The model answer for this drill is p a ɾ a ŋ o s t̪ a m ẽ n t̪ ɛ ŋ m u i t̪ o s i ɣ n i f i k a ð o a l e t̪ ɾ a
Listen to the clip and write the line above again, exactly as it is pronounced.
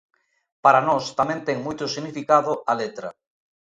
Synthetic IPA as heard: p a ɾ a n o s t̪ a m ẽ n t̪ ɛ ŋ m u j t̪ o s i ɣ n i f i k a ð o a l e t̪ ɾ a